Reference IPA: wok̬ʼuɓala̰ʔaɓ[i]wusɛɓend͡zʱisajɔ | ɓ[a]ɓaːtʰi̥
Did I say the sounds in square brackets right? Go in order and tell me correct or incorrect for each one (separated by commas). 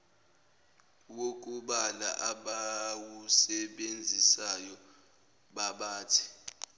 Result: incorrect, correct